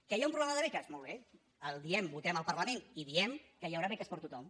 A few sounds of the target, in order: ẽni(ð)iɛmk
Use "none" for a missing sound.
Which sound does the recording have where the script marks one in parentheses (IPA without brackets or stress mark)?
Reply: ð